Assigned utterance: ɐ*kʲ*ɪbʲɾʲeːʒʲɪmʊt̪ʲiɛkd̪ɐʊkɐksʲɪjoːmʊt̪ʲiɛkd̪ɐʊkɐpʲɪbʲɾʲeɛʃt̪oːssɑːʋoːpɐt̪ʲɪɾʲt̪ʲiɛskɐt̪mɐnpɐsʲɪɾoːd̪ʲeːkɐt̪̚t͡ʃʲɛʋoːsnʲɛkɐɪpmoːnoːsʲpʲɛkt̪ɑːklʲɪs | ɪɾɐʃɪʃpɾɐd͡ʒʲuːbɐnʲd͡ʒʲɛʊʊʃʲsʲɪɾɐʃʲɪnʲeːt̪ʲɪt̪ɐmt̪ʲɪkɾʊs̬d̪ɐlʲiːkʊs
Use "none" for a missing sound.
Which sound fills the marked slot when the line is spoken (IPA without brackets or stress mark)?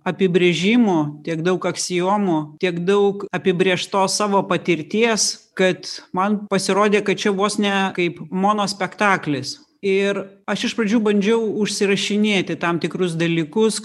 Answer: pʲ